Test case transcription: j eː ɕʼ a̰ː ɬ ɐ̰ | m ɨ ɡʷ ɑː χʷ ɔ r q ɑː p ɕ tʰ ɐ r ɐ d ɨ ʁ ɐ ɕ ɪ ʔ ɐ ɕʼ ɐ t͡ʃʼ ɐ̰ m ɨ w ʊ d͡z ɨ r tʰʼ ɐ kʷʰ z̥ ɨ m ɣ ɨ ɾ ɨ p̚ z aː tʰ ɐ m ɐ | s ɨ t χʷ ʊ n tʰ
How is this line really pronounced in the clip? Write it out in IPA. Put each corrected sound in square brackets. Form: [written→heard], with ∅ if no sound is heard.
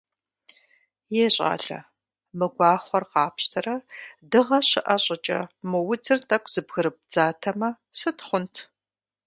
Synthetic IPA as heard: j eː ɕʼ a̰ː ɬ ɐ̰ | m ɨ ɡʷ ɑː χʷ ɔ r q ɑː p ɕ tʰ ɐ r ɐ d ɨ ʁ ɐ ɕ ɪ ʔ ɐ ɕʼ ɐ t͡ʃʼ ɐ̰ m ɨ w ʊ d͡z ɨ r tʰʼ ɐ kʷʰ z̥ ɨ [m→b] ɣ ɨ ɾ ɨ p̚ [z→d͡z] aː tʰ ɐ m ɐ | s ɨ t χʷ ʊ n tʰ